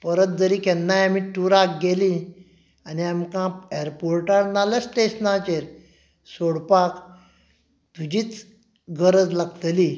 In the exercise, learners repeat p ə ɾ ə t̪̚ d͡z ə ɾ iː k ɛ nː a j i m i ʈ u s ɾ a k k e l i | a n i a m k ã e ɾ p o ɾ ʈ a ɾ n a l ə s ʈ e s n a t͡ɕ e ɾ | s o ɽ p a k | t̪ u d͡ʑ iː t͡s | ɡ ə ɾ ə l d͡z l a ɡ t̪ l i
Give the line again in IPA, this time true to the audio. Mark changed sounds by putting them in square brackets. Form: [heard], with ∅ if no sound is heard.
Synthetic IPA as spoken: p ə ɾ ə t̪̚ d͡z ə ɾ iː k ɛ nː a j [a] m i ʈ u [∅] ɾ a k [ɡ] e l i | a n i a m k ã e ɾ p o ɾ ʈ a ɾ n a l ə s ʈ e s n a t͡ɕ e ɾ | s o ɽ p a k | t̪ u d͡ʑ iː t͡s | ɡ ə ɾ ə [∅] d͡z l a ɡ t̪ l i

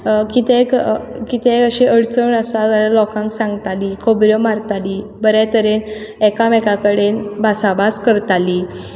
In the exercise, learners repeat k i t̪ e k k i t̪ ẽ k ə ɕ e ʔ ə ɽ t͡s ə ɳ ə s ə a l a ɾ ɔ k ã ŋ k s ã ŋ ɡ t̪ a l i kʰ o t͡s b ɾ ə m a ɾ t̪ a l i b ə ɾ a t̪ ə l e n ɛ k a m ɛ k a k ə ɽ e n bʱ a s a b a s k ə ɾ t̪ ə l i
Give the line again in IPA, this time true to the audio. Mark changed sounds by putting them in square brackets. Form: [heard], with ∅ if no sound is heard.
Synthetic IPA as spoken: k i t̪ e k k i t̪ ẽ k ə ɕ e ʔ ə ɽ t͡s ə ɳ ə s [a] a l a [l] ɔ k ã ŋ k s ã ŋ ɡ t̪ a l i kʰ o [∅] b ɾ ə m a ɾ t̪ a l i b ə ɾ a t̪ ə [ɾ] e n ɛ k a m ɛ k a k ə ɽ e n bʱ a s a b a s k ə ɾ t̪ [a] l i

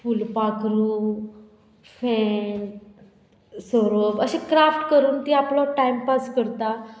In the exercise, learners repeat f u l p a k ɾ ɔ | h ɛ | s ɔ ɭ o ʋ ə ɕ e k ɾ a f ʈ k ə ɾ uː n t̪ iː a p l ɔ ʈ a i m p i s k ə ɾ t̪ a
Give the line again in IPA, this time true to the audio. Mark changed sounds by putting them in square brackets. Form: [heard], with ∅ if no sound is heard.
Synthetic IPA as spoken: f u l p a k ɾ [u] | [f] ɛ | s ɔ [ɾ] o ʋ ə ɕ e k ɾ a f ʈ k ə ɾ uː n t̪ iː a p l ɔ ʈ a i m p [a] s k ə ɾ t̪ a

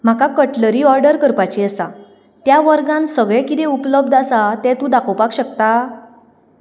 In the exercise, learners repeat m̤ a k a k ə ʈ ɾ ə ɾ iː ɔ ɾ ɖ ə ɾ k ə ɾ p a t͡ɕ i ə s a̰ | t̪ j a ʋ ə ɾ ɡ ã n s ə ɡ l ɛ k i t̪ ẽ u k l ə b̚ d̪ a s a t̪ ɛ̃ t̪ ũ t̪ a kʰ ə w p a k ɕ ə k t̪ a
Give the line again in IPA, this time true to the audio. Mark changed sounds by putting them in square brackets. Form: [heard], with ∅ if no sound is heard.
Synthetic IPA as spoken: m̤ a k a k ə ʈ [l] ə ɾ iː ɔ ɾ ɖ ə ɾ k ə ɾ p a t͡ɕ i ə s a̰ | t̪ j a ʋ ə ɾ ɡ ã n s ə ɡ [ɭ] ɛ k i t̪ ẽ u [p] l ə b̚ d̪ a s a t̪ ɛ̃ t̪ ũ [d̪] a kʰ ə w p a k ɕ ə k t̪ a

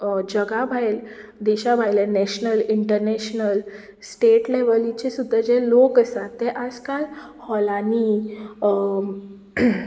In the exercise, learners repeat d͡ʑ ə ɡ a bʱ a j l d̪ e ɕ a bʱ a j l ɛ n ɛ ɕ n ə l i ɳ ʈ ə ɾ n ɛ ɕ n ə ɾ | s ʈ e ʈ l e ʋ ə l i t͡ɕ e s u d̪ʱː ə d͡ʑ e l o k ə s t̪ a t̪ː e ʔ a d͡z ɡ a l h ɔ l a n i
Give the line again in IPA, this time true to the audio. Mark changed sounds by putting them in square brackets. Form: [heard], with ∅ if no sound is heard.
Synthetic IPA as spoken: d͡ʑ ə ɡ a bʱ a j l d̪ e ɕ a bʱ a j l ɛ n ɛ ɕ n ə l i ɳ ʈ ə ɾ n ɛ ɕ n ə [l] | s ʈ e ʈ l e ʋ ə l i t͡ɕ e s u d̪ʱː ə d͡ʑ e l o k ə s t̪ a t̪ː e ʔ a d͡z [k] a l h ɔ l a n i

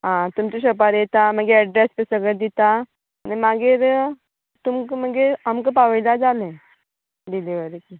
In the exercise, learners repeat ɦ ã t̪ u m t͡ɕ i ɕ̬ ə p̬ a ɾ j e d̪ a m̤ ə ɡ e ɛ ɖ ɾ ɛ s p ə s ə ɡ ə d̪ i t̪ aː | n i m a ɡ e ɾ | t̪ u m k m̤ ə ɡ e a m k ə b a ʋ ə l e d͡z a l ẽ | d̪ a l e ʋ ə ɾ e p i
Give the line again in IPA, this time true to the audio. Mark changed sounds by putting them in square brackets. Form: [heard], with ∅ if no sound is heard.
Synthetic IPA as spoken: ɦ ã t̪ u m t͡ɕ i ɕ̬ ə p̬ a ɾ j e [t̪] a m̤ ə ɡ e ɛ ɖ ɾ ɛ s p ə s ə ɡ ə d̪ i t̪ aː | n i m a ɡ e ɾ | t̪ u m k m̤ ə ɡ e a m k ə [p] a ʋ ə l [a] d͡z a l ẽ | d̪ [i] l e ʋ ə ɾ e [k] i

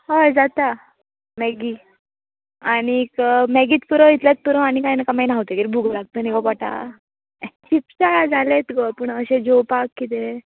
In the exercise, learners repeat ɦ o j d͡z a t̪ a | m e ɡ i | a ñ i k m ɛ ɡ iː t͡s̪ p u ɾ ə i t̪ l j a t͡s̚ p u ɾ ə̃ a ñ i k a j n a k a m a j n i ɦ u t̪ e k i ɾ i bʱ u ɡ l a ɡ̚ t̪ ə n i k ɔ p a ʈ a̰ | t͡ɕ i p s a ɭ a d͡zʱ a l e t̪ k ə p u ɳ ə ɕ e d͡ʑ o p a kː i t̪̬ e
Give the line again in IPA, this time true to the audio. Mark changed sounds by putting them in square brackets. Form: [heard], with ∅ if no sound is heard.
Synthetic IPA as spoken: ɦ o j d͡z a t̪ a | m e ɡ i | a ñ i k m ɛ ɡ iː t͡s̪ p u ɾ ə i t̪ l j a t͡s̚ p u ɾ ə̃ a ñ i k a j n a k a m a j n [a] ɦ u t̪ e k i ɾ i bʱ u ɡ l a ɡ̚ t̪ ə n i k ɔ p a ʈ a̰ | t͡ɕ i p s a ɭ a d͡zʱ a l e t̪ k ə p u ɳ ə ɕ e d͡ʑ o p a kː i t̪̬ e

